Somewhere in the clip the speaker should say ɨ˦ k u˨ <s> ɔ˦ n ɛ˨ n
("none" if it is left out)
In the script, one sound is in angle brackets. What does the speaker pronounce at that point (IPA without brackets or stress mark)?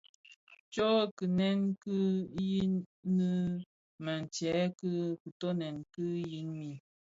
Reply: t